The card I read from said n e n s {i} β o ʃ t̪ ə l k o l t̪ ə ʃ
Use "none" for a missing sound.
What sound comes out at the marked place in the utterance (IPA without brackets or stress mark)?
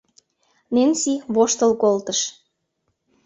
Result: i